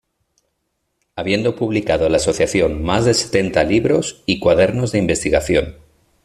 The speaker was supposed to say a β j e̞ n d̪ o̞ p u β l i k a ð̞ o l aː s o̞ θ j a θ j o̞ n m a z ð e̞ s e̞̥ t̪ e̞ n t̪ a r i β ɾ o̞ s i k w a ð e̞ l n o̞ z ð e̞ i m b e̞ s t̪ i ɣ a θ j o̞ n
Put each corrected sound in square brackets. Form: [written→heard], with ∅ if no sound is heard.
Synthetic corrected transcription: a β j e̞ n d̪ o̞ p u β l i k a ð̞ o l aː s o̞ θ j a θ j o̞ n m a z ð e̞ s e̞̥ t̪ e̞ n t̪ a [r→l] i β ɾ o̞ s i k w a ð e̞ [l→ɾ] n o̞ z ð e̞ i m b e̞ s t̪ i ɣ a θ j o̞ n